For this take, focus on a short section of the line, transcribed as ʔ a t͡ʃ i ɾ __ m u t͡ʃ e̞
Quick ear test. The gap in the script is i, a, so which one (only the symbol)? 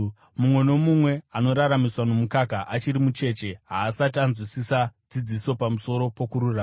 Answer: i